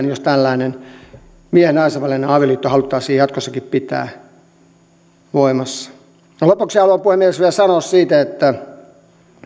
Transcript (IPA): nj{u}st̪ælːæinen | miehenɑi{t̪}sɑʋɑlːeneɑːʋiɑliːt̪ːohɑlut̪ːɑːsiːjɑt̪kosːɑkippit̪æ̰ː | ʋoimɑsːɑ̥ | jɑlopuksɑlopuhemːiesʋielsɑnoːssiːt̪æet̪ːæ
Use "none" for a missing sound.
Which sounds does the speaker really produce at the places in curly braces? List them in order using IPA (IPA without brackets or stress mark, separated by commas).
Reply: o, none